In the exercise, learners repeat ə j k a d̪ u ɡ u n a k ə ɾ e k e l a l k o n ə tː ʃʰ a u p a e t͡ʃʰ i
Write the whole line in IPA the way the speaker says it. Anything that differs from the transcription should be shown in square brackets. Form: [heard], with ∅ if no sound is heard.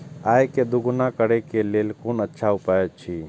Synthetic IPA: [a] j k [e] d̪ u ɡ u n a k ə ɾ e k e l [e] l k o n ə tː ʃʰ a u p a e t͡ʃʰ i